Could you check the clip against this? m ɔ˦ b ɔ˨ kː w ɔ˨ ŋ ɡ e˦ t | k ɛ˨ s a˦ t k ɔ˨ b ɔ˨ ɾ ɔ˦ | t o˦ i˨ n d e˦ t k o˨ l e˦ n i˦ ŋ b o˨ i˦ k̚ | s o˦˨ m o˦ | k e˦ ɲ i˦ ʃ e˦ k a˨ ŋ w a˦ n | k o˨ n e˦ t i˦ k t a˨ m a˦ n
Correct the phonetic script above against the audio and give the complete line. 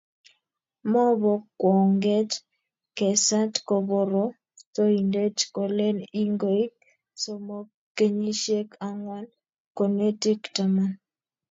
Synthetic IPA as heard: m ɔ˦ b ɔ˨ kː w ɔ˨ ŋ ɡ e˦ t | k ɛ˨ s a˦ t k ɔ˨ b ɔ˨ ɾ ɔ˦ | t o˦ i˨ n d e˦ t k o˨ l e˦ n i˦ ŋ ɡ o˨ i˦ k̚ | s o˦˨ m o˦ | k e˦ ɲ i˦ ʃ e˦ k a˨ ŋ w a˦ n | k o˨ n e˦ t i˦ k t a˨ m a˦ n